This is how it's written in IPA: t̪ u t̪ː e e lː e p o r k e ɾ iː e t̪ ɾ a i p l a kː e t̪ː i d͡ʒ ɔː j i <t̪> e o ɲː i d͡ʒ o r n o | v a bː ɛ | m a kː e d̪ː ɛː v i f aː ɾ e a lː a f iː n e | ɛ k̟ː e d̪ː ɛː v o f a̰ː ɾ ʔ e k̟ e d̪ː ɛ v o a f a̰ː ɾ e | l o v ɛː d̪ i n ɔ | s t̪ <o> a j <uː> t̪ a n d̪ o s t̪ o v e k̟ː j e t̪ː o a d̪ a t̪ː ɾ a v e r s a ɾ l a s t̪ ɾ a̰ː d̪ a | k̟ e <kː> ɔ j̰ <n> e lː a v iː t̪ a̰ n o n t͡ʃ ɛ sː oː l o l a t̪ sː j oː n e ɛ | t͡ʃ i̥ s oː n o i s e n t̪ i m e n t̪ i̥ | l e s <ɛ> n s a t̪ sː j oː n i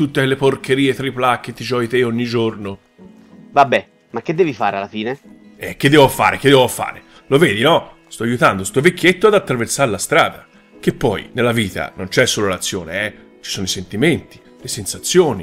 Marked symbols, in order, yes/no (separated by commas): yes, no, no, no, yes, no